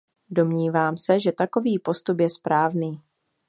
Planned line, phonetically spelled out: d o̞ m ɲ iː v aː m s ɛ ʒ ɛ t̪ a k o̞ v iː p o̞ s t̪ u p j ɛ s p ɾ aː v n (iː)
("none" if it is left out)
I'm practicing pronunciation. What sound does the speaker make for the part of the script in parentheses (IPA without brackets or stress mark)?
iː